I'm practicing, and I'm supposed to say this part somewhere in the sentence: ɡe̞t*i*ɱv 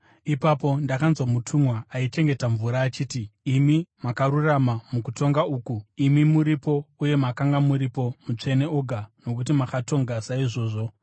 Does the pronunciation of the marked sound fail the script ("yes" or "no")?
yes